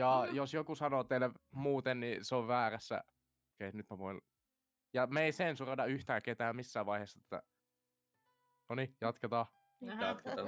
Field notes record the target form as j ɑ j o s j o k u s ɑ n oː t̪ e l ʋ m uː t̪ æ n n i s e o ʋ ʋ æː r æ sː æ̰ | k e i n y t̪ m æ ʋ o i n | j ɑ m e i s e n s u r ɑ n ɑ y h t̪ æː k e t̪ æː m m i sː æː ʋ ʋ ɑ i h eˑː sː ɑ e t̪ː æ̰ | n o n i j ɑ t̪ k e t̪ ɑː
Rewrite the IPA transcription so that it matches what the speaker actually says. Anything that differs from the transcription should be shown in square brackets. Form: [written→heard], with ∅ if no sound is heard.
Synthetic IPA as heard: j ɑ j o s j o k u s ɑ n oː t̪ e l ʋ m uː t̪ [æ→e] n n i s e o ʋ ʋ æː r æ sː æ̰ | k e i n y t̪ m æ ʋ o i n | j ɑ m e i s e n s u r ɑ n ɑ y h t̪ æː k e t̪ æː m m i sː æː ʋ ʋ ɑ i h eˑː sː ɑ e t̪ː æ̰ | n o n i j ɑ t̪ k e t̪ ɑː